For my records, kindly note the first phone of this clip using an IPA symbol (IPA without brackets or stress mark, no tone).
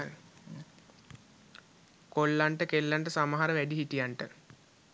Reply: k